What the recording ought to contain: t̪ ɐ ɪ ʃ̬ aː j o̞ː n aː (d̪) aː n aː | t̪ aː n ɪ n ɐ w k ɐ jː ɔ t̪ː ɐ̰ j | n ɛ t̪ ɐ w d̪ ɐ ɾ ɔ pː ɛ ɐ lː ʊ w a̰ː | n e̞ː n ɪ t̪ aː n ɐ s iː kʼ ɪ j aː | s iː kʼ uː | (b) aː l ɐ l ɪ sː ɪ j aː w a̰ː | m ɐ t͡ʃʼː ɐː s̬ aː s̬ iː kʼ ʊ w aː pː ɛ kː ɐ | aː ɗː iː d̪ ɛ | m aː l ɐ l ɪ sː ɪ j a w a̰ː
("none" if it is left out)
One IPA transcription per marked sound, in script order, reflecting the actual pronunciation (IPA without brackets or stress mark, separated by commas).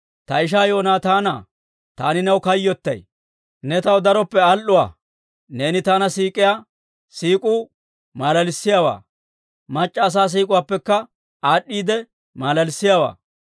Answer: t̪, m